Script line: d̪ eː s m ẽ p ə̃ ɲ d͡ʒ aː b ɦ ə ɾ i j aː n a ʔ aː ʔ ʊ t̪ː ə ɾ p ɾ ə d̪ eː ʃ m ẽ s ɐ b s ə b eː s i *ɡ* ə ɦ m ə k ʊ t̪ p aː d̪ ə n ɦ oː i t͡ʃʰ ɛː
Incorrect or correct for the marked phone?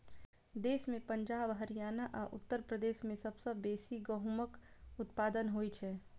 correct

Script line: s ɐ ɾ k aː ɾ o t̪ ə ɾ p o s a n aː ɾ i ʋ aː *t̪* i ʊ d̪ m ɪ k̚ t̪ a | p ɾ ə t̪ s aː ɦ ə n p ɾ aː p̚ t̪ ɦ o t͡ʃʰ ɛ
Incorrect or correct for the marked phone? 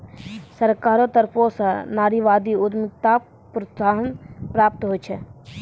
incorrect: d̪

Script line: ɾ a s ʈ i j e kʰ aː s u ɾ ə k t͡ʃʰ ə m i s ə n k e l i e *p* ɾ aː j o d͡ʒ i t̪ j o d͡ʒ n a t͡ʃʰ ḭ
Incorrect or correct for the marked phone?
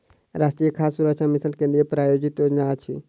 correct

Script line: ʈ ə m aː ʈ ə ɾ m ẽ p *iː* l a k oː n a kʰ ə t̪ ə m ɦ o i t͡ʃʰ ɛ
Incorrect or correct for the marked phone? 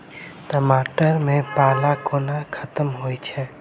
incorrect: aː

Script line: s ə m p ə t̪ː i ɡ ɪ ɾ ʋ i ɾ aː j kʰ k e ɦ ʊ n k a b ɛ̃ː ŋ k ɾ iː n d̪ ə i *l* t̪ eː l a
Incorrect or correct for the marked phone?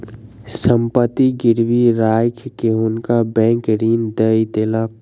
incorrect: none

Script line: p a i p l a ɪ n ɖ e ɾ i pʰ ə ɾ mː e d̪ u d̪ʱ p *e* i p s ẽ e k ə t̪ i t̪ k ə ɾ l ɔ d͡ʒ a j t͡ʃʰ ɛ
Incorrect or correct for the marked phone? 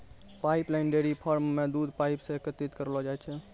incorrect: a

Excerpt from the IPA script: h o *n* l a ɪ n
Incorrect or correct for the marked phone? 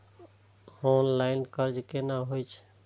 correct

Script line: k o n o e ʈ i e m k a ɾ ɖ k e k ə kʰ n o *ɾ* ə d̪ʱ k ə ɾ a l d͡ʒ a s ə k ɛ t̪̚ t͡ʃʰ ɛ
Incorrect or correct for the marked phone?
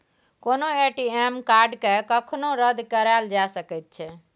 correct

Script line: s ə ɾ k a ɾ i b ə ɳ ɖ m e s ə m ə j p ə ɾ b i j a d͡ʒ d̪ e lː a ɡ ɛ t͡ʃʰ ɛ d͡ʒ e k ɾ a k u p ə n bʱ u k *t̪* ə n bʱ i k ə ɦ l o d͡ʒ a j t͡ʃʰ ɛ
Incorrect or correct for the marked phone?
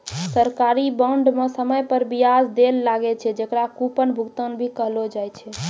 correct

